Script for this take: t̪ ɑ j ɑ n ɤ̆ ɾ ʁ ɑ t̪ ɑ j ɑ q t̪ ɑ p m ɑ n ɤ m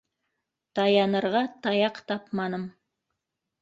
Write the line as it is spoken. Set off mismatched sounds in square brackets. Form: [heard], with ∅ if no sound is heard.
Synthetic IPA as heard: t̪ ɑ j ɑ n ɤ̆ ɾ ʁ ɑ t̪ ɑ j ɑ q t̪ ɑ p m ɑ n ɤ m